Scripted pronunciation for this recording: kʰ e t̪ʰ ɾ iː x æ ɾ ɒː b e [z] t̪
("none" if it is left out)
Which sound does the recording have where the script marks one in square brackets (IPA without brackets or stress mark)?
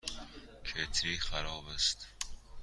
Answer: s